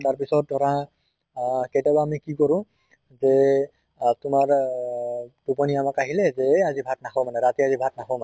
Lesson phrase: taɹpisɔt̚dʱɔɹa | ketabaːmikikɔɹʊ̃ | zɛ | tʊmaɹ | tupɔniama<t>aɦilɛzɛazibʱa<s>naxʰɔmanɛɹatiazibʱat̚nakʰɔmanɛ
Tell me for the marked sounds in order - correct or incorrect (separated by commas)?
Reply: incorrect, incorrect